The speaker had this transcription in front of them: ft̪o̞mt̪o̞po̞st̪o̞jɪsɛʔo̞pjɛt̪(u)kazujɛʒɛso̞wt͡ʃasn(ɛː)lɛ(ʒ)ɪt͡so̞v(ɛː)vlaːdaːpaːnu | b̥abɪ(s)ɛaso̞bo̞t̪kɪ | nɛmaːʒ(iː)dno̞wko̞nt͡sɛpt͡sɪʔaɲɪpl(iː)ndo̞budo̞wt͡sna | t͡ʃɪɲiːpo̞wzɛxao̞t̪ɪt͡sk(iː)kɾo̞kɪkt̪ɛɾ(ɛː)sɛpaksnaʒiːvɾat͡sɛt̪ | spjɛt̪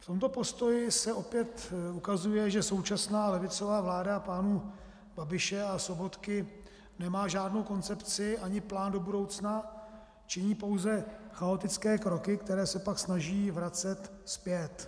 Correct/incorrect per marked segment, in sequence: correct, incorrect: aː, incorrect: v, incorrect: aː, incorrect: ʃ, incorrect: aː, incorrect: aː, incorrect: ɛː, correct

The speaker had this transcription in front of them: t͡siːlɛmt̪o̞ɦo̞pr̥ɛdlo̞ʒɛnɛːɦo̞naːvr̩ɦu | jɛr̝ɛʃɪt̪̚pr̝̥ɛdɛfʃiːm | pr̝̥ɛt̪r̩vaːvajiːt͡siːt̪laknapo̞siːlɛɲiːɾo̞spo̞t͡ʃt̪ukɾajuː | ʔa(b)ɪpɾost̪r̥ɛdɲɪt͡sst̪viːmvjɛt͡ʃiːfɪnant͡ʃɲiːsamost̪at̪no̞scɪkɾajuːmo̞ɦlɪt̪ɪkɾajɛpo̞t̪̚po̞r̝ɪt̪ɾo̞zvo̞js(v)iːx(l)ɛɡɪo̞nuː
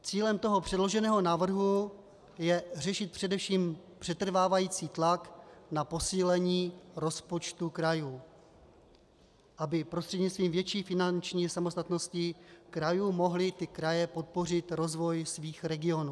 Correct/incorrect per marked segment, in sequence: correct, correct, incorrect: ɾ

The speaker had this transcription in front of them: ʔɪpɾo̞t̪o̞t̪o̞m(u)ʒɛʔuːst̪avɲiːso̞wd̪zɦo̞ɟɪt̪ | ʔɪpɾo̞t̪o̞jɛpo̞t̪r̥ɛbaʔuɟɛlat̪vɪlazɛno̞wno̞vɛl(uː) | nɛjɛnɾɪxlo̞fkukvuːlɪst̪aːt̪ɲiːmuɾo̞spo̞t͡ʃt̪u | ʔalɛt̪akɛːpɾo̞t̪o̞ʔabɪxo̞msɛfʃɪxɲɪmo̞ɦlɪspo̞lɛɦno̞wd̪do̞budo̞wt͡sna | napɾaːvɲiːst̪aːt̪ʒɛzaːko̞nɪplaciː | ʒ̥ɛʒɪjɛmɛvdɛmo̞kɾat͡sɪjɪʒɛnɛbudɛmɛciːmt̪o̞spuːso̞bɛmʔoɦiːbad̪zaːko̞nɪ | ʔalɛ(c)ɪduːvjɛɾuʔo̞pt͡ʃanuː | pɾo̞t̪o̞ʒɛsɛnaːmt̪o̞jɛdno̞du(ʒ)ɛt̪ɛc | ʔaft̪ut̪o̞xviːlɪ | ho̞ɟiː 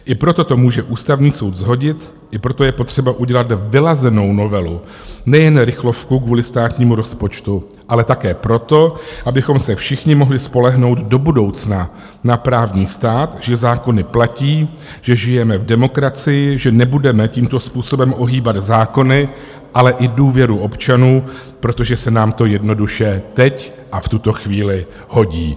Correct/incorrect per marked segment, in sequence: incorrect: uː, incorrect: u, incorrect: ʔ, incorrect: ʃ

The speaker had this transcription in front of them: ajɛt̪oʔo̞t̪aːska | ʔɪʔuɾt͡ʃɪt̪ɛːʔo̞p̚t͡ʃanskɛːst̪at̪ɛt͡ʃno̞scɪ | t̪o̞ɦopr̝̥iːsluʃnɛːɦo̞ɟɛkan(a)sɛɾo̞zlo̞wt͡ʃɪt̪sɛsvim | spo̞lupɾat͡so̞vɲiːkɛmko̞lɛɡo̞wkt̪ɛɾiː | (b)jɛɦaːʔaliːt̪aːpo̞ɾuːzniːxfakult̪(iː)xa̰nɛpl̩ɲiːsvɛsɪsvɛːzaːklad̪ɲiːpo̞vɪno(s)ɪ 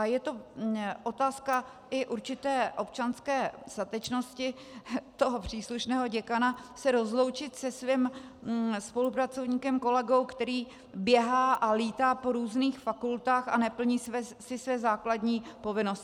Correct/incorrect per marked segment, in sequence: correct, correct, incorrect: aː, correct

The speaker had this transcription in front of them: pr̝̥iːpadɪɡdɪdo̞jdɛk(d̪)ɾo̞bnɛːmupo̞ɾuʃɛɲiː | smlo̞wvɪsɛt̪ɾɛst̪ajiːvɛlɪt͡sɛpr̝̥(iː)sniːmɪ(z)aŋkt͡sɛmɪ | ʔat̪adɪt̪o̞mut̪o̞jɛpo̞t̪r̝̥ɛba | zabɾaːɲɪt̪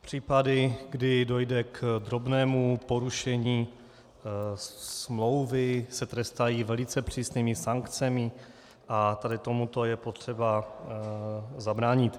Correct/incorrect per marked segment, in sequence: correct, correct, incorrect: s

